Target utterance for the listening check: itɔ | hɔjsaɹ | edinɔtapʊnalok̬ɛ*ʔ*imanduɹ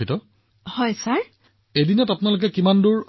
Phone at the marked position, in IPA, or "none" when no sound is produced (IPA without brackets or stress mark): k